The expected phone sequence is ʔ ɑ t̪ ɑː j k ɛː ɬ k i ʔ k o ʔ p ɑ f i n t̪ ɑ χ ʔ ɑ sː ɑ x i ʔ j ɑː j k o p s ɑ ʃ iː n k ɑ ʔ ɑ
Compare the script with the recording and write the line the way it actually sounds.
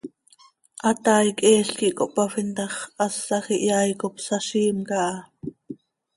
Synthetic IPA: ʔ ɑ t̪ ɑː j k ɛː ɬ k i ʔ k o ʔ p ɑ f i n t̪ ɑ χ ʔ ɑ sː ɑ x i ʔ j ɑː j k o p s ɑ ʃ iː m k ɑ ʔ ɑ